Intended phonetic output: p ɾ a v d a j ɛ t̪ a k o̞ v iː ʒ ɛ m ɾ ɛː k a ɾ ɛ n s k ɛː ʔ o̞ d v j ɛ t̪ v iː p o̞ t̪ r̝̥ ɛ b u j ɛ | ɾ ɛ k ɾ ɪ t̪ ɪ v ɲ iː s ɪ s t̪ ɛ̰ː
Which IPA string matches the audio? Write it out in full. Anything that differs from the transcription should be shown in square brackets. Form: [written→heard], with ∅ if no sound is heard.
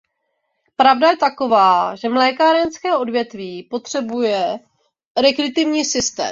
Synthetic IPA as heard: p ɾ a v d a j ɛ t̪ a k o̞ v [iː→aː] ʒ ɛ m [ɾ→l] ɛː k a ɾ ɛ n s k ɛː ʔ o̞ d v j ɛ t̪ v iː p o̞ t̪ r̝̥ ɛ b u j ɛ | ɾ ɛ k ɾ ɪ t̪ ɪ v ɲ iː s ɪ s t̪ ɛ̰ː